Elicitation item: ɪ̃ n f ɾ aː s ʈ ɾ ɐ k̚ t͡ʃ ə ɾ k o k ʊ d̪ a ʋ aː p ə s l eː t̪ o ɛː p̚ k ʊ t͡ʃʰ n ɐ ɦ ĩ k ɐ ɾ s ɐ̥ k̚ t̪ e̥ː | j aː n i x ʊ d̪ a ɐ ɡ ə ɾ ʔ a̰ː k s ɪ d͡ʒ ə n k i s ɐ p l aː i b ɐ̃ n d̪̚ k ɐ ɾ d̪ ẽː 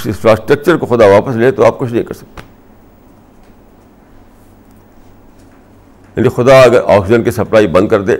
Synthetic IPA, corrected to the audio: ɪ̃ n f ɾ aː s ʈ ɾ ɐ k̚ t͡ʃ ə ɾ k o x ʊ d̪ a ʋ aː p ə s l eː t̪ o aː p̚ k ʊ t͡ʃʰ n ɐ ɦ ĩ k ɐ ɾ s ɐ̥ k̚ t̪ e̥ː | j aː n i x ʊ d̪ a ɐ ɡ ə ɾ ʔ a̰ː k s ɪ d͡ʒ ə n k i s ɐ p l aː i b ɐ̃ n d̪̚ k ɐ ɾ d̪ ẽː